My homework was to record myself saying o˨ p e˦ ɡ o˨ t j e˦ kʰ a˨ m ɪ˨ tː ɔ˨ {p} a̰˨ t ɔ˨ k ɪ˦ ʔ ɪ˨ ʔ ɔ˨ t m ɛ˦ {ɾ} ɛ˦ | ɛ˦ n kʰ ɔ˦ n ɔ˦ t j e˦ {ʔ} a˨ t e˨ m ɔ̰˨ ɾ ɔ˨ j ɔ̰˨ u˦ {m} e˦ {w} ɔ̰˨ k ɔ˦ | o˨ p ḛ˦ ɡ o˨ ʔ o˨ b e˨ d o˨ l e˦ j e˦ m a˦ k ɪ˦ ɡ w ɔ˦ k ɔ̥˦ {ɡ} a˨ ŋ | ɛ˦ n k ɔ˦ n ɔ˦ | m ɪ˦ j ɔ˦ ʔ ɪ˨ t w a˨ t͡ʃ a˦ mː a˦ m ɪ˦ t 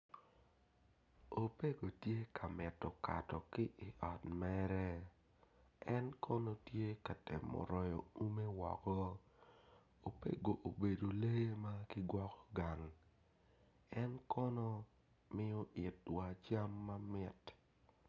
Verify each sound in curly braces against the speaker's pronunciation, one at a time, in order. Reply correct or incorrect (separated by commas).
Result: incorrect, correct, incorrect, correct, correct, correct